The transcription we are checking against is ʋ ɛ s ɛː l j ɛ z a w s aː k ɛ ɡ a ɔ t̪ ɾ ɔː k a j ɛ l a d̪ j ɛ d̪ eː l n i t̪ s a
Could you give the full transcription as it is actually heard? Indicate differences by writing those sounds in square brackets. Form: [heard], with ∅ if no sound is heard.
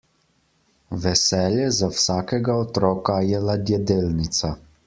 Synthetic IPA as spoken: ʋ ɛ s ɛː l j ɛ z a w s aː k ɛ ɡ a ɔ t̪ ɾ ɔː k a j ɛ l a d̪ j ɛ d̪ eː l n i t̪ s a